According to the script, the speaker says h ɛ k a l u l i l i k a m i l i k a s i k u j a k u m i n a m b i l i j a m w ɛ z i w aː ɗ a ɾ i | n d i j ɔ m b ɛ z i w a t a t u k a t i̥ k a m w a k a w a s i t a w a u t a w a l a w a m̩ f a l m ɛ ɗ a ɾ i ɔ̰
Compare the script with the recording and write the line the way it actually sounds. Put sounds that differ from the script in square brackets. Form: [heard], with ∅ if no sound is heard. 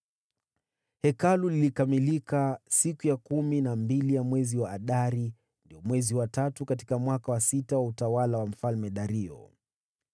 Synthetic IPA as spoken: h ɛ k a l u l i l i k a m i l i k a s i k u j a k u m i n a m b i l i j a m w ɛ z i w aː ɗ a ɾ i | n d i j ɔ m [w] ɛ z i w a t a t u k a t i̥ k a m w a k a w a s i t a w a u t a w a l a w a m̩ f a l m ɛ ɗ a ɾ i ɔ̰